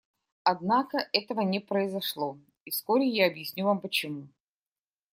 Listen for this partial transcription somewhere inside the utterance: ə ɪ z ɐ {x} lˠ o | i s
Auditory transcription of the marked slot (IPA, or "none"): ʂ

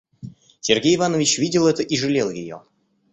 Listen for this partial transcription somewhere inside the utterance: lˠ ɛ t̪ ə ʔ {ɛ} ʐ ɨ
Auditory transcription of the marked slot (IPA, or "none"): i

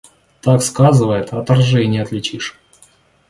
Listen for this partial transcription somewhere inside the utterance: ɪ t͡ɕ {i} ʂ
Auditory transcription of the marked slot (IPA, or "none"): i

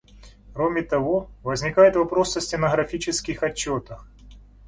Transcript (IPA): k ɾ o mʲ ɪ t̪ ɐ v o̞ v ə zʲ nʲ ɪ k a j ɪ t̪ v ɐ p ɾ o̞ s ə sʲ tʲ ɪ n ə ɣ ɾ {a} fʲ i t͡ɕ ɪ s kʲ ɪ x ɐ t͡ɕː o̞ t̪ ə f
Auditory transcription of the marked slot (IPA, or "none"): ɐ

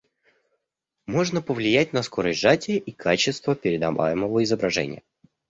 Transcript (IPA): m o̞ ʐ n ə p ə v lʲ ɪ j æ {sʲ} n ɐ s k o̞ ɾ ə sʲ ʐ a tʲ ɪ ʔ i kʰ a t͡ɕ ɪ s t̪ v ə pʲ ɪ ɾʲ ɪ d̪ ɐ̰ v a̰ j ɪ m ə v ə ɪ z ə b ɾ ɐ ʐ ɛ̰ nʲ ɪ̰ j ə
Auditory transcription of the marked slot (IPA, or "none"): tʲ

